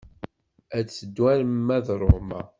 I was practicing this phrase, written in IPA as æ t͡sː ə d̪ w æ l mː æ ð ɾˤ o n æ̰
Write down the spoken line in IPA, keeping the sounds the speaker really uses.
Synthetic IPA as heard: æ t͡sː ə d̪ w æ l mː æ ð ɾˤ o m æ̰